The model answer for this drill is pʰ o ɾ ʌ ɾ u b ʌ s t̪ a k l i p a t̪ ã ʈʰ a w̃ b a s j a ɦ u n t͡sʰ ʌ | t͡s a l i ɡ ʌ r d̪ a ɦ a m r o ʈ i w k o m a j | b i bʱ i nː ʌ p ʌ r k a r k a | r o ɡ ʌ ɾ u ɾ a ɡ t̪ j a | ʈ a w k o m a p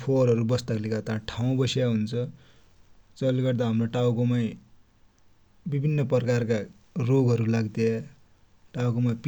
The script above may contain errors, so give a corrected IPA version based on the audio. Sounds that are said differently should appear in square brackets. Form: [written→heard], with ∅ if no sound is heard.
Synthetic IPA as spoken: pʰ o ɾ ʌ ɾ u b ʌ s t̪ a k l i [p→k] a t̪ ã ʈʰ a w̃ b [a→ʌ] s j a ɦ u n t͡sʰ ʌ | t͡s [a→ʌ] l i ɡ ʌ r d̪ a ɦ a m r o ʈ [i→a] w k o m a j | b i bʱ i nː ʌ p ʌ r k a r k a | r o ɡ ʌ ɾ u [ɾ→l] a ɡ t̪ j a | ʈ a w k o m a p